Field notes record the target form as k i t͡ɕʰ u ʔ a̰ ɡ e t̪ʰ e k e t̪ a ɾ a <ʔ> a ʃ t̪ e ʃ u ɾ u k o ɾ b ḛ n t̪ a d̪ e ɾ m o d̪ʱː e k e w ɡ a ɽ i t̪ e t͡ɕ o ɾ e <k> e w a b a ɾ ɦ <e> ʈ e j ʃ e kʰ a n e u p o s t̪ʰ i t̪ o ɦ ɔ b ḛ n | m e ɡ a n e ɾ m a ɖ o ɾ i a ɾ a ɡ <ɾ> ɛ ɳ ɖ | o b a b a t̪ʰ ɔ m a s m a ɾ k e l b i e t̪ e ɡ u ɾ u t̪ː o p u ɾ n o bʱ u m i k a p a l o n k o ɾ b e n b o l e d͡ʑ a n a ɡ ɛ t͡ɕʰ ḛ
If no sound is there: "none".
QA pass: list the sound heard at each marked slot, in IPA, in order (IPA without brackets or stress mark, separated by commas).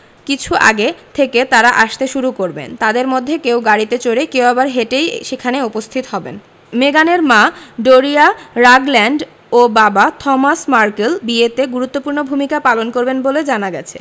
ʔ, k, e, l